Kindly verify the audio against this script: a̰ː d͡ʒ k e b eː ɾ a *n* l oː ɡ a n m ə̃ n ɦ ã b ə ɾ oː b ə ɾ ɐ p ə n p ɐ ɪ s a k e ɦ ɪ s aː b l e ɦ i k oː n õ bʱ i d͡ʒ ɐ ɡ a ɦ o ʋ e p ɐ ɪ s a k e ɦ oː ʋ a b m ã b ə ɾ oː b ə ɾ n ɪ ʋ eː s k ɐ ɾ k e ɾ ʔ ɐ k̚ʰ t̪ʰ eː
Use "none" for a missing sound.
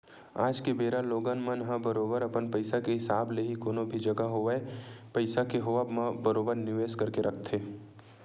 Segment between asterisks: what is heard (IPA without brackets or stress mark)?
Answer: none